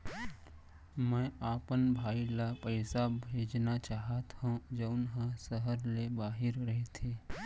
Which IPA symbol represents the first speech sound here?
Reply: m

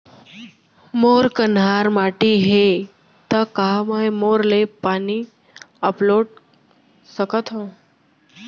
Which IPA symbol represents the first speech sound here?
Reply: m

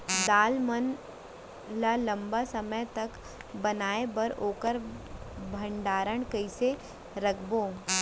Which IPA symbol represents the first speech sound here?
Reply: d̪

